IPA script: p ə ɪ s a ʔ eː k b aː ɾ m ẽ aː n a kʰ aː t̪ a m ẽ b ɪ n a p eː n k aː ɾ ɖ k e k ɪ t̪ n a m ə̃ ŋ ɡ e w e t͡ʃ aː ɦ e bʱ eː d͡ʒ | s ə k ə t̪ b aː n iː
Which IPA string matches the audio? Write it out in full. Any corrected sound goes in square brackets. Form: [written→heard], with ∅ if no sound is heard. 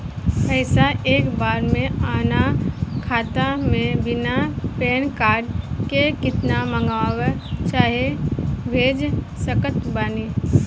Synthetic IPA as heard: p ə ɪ s a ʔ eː k b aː ɾ m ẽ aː n a kʰ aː t̪ a m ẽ b ɪ n a p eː n k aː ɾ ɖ k e k ɪ t̪ n a m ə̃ ŋ ɡ [e→a] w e t͡ʃ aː ɦ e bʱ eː d͡ʒ | s ə k ə t̪ b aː n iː